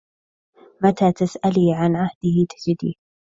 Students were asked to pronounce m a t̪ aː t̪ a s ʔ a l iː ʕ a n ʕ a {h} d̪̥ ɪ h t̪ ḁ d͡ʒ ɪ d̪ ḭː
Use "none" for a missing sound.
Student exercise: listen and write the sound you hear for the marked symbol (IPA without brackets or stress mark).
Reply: h